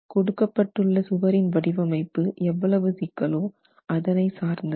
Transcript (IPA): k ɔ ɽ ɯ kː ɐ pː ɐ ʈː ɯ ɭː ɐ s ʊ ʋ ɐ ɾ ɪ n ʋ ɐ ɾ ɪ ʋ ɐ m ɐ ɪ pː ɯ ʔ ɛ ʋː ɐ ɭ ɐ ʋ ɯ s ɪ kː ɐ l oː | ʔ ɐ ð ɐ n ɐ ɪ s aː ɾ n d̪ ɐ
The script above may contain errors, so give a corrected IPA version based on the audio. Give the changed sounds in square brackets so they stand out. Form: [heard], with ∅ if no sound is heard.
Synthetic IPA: k ɔ ɽ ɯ kː ɐ pː ɐ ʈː ɯ ɭː ɐ s ʊ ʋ ɐ ɾ ɪ n ʋ ɐ [ɽ] ɪ ʋ ɐ m ɐ ɪ pː ɯ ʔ ɛ ʋː ɐ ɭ ɐ ʋ ɯ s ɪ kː ɐ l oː | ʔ ɐ ð ɐ n ɐ ɪ s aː ɾ n d̪ ɐ